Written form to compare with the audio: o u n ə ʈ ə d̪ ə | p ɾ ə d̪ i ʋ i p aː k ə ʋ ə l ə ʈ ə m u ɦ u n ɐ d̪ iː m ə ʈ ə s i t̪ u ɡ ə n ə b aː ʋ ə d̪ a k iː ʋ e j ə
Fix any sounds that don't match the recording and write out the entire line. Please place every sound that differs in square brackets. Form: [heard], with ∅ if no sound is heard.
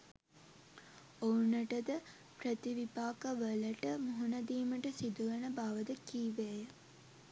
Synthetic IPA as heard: o u n ə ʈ ə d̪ ə | p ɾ ə [t̪] i ʋ i p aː k ə ʋ ə l ə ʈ ə m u ɦ u n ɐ d̪ iː m ə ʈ ə s i [d̪] u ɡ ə n ə b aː ʋ ə d̪ [ə] k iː ʋ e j ə

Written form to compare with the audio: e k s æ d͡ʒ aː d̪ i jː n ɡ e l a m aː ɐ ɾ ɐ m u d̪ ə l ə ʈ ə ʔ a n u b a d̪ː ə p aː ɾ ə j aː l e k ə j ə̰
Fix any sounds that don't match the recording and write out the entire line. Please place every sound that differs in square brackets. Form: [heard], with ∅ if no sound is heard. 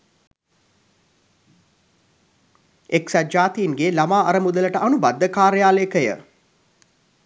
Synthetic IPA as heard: e k s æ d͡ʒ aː [t̪] i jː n ɡ e l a m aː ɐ ɾ [ə] m u d̪ ə l ə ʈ ə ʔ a n u b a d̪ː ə [k] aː ɾ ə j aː l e k ə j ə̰

